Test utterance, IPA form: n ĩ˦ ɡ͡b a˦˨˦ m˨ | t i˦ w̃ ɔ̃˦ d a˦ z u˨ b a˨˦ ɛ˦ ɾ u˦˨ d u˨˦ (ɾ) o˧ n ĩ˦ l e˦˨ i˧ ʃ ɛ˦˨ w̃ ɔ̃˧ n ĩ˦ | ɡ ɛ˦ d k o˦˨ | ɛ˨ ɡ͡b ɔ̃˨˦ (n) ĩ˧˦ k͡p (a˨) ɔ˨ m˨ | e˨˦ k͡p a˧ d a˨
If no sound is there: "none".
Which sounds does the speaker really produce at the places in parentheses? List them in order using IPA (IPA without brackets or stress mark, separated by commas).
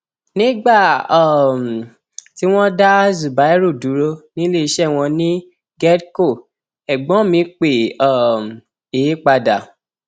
ɾ, m, e˨